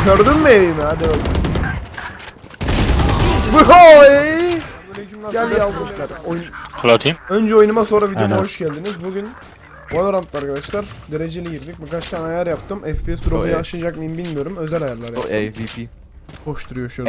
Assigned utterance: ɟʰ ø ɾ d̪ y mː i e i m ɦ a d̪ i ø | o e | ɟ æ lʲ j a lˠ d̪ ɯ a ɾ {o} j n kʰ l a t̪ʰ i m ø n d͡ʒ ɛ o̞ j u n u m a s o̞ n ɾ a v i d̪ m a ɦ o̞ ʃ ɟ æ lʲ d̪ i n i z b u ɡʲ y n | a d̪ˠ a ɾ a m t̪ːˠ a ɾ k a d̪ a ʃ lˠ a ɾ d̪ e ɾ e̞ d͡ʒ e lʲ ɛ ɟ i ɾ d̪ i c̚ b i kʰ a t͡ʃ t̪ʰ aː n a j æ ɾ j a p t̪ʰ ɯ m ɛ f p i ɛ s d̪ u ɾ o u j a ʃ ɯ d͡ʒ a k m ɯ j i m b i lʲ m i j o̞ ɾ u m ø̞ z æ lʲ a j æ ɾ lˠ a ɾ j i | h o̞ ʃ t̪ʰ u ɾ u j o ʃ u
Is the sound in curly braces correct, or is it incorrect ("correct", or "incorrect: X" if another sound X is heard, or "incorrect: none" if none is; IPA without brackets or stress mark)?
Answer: correct